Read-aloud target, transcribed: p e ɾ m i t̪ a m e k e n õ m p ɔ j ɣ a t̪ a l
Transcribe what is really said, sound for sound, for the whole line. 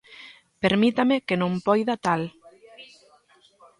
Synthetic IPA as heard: p e ɾ m i t̪ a m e k e n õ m p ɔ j ð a t̪ a l